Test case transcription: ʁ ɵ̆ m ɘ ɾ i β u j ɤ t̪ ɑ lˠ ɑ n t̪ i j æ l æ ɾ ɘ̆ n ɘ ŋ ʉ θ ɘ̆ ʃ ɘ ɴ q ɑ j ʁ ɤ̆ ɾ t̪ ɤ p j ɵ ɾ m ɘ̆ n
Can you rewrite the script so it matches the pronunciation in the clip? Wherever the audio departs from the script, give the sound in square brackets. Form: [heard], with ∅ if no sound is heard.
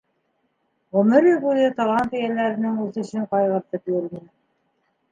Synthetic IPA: ʁ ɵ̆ m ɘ ɾ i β u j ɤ t̪ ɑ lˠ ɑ n t̪ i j æ l æ ɾ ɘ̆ n ɘ ŋ ʉ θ ɘ̆ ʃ ɘ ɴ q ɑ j ʁ ɤ̆ ɾ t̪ ɤ p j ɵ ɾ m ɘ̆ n